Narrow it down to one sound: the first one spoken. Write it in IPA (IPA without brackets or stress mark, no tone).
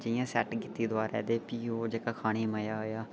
d͡ʒ